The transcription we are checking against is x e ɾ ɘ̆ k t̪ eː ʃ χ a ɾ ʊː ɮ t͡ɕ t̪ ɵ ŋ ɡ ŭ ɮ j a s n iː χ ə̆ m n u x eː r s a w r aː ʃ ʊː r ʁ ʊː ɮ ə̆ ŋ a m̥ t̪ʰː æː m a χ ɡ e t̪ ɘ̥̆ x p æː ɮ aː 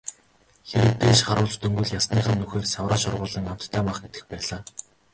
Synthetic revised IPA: x e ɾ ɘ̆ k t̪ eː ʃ χ a ɾ ʊː ɮ t͡ɕ t̪ ɵ ŋ ɡ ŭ ɮ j a s n iː χ ə̆ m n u x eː r s a w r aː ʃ ʊ r ʁ ʊː ɮ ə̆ ŋ a m̥ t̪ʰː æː m a χ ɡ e t̪ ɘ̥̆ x p æː ɮ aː